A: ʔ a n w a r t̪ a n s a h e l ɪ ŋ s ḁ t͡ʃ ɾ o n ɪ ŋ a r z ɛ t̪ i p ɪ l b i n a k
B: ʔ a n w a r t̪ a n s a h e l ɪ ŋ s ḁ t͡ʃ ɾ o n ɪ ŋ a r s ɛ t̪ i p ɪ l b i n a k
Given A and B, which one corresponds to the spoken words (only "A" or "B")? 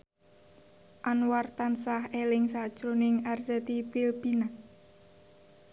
B